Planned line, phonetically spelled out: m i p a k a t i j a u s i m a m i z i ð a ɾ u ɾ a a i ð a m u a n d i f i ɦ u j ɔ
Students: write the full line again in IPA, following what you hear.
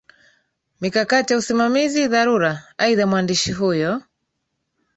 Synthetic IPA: m i k a k a t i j a u s i m a m i z i ð a ɾ u ɾ a a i ð a m w a n d i ʃ i ɦ u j ɔ